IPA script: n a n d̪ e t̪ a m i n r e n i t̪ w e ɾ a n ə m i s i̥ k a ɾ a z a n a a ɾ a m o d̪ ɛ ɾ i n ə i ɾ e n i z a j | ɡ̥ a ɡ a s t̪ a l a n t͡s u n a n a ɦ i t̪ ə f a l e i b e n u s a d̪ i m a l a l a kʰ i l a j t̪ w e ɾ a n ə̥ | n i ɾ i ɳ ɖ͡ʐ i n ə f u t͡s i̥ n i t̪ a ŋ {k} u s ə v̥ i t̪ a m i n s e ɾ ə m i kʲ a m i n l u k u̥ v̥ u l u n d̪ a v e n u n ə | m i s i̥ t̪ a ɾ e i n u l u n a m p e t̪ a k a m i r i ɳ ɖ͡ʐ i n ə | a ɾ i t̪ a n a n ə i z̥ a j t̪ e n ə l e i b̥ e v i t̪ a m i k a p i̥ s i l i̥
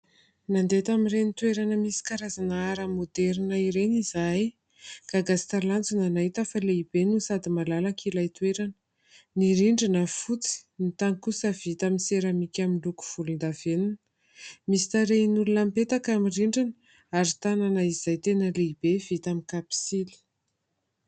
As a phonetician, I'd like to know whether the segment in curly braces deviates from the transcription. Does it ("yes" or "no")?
no